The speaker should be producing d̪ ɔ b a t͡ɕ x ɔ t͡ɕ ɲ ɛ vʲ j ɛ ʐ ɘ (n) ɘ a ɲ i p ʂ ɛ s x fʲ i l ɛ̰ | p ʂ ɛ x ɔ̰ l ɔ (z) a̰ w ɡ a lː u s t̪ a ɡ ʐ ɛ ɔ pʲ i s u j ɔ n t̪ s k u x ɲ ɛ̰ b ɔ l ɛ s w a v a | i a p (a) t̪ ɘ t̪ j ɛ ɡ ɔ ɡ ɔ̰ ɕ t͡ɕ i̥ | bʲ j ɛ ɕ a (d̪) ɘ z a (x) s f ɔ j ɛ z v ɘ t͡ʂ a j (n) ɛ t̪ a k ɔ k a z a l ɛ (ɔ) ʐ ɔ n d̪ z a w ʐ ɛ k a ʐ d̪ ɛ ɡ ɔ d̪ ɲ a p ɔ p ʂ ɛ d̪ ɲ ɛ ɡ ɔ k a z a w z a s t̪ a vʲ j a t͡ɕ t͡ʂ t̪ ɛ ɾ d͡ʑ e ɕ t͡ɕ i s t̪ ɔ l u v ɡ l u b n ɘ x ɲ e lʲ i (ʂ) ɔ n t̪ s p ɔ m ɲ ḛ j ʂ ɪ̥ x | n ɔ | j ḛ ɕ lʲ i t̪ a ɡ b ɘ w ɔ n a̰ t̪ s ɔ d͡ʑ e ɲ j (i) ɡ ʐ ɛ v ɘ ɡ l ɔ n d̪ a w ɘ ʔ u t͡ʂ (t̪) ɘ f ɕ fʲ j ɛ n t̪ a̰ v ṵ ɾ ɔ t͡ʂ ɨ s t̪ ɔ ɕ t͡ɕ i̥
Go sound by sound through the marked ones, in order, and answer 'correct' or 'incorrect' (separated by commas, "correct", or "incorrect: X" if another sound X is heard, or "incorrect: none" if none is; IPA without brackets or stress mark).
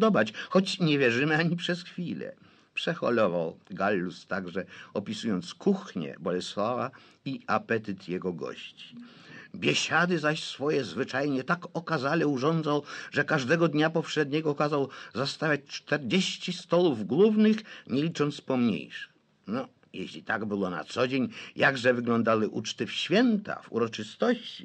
incorrect: m, incorrect: v, incorrect: ɛ, correct, incorrect: ɕ, incorrect: ɲ, incorrect: u, incorrect: t͡ʂ, incorrect: a, correct